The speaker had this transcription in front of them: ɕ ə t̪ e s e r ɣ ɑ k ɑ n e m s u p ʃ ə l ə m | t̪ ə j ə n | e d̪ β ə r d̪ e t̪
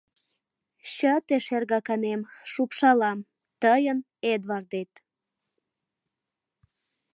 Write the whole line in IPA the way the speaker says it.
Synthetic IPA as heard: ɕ ə t̪ e ʃ e r ɣ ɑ k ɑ n e m ʃ u p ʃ ɑ l ɑ m | t̪ ə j ə n | e d̪ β ɑ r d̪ e t̪